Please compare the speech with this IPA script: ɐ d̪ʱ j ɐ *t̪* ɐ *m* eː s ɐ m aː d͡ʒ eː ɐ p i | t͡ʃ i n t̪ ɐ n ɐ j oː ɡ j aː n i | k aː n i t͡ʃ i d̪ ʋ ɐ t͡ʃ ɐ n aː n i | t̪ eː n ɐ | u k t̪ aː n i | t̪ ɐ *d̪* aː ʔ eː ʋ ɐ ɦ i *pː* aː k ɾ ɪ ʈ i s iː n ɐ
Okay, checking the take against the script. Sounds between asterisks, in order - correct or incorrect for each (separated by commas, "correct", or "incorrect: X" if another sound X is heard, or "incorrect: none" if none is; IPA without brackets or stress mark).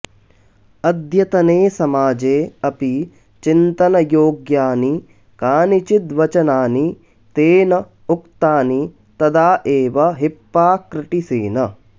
correct, incorrect: n, correct, correct